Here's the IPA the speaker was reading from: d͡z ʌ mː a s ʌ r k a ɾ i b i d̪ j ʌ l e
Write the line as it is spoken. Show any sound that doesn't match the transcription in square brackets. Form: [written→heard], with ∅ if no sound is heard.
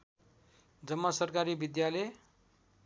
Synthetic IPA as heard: d͡z ʌ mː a s ʌ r k a ɾ i b i d̪ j [ʌ→a] l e